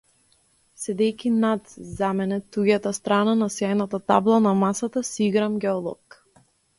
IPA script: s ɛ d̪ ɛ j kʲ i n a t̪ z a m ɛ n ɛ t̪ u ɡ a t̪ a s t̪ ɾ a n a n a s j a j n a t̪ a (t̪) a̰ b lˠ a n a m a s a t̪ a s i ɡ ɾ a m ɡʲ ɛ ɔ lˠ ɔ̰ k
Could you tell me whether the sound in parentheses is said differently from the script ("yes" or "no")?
no